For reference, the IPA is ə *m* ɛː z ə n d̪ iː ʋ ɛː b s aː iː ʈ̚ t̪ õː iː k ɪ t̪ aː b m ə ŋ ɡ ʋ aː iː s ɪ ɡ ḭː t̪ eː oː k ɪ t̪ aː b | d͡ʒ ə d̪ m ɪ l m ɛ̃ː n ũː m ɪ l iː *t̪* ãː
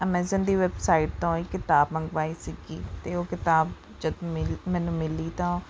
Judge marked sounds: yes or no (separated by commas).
yes, yes